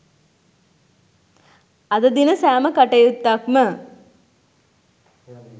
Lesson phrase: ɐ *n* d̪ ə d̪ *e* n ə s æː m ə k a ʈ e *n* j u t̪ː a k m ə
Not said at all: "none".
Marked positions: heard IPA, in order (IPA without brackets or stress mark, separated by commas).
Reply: none, i, none